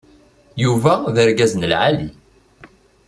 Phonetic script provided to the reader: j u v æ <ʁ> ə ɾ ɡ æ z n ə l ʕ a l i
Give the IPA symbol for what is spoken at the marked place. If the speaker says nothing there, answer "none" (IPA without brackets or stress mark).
ð